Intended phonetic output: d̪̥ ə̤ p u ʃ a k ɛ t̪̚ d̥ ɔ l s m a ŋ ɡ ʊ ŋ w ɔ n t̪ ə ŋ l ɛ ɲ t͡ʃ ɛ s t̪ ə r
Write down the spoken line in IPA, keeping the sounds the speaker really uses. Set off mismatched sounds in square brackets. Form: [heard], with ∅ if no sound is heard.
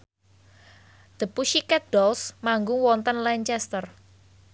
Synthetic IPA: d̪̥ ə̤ p u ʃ [i] k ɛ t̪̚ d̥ ɔ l s m a ŋ ɡ ʊ ŋ w ɔ n t̪ ə [n] l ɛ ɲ t͡ʃ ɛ s t̪ ə r

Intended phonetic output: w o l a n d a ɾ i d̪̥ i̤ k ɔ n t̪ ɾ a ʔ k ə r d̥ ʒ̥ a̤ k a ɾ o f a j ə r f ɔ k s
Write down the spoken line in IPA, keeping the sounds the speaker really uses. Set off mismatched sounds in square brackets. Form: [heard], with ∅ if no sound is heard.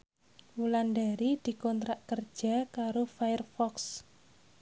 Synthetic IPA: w [u] l a n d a ɾ i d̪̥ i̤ k ɔ n t̪ ɾ a ʔ k ə r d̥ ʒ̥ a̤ k a ɾ o f a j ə r f ɔ k s

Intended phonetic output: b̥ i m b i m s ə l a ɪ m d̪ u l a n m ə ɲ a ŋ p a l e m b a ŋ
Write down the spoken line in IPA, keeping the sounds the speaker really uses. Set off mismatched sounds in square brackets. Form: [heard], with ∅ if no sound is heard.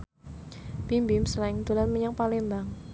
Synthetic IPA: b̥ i m b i m s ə l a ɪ [ŋ] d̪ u l a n m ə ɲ a ŋ p a l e m b a ŋ

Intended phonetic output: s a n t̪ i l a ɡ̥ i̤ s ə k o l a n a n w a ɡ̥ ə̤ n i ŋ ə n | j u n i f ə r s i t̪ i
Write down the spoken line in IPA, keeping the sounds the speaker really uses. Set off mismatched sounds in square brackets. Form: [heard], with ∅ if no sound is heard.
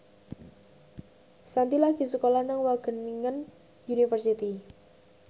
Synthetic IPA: s a n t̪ i l a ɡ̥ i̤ s ə k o l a n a [ŋ] w a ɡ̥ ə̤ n i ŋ ə n | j u n i f ə r s i t̪ i

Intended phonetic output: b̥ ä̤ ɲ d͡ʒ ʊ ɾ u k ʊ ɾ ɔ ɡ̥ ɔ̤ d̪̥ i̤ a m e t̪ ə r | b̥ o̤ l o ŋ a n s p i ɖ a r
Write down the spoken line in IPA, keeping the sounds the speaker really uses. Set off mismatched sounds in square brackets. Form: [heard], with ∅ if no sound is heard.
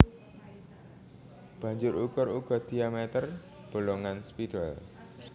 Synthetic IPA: b̥ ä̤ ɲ d͡ʒ ʊ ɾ u k ʊ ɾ [u] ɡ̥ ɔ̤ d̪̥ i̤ a m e t̪ ə r | b̥ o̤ l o ŋ a n s p i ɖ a [l]

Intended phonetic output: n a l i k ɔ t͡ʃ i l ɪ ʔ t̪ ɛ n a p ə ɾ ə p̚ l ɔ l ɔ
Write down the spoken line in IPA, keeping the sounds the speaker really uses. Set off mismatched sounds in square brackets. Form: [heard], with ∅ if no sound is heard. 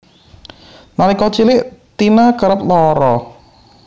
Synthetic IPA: n a l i k ɔ t͡ʃ i l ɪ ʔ t̪ [i] n a [k] ə ɾ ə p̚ l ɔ [ɾ] ɔ

